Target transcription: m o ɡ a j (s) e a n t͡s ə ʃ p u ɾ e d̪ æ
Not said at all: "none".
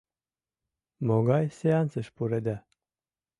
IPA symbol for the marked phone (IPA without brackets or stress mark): s